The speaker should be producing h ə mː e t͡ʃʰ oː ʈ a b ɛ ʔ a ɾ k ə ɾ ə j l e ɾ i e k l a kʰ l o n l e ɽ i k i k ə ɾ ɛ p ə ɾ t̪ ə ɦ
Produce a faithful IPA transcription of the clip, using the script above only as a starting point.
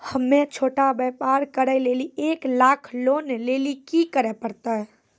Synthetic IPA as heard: h ə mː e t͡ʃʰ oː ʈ a b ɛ p a ɾ k ə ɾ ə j l e l i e k l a kʰ l o n l e l i k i k ə ɾ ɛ p ə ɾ t̪ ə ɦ

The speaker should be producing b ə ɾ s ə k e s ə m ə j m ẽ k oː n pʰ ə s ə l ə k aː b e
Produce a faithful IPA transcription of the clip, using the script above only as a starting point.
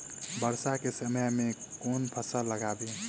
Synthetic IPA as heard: b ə ɾ s a k e s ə m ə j m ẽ k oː n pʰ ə s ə l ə ɡ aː b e

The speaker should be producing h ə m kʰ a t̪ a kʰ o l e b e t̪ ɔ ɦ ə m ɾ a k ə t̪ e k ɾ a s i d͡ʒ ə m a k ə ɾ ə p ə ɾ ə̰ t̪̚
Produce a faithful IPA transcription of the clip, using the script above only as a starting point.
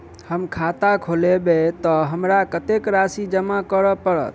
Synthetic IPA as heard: h ə m kʰ a t̪ a kʰ o l e b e t̪ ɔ ɦ ə m ɾ a k ə t̪ e k ɾ a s i d͡ʒ ə m a k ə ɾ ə p ə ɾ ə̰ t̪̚

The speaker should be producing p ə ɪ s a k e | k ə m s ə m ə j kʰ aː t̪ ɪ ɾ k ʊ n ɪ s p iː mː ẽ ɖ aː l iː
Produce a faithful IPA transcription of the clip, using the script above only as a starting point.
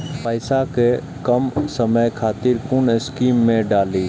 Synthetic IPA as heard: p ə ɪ s a k e | k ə m s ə m ə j kʰ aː t̪ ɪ ɾ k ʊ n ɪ s k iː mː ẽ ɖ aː l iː

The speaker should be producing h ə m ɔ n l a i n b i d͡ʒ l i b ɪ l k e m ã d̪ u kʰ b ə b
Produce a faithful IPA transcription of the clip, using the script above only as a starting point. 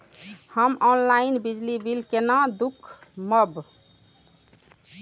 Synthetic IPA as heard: h ə m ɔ n l a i n b i d͡ʒ l i b i l k e n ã d̪ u kʰ m ə b

